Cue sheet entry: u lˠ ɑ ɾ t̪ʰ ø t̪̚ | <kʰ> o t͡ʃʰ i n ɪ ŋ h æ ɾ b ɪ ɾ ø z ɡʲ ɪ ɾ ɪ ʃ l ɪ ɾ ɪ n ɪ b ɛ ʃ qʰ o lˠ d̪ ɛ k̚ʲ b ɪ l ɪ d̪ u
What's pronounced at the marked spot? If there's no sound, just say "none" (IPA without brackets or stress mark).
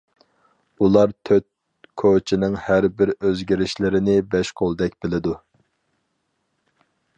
kʰ